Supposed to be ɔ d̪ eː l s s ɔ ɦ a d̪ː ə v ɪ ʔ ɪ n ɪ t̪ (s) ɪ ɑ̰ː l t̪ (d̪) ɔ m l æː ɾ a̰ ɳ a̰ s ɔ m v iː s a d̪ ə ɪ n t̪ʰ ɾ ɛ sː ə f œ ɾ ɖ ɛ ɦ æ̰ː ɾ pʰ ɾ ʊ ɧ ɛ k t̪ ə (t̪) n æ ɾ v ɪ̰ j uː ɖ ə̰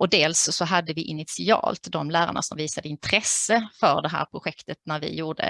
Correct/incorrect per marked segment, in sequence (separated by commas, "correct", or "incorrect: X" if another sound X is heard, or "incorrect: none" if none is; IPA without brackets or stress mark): correct, correct, correct